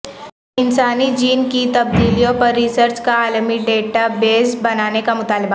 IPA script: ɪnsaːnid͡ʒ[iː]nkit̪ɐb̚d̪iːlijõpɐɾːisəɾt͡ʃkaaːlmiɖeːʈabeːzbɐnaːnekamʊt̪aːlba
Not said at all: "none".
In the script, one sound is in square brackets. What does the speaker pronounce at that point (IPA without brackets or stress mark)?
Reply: iː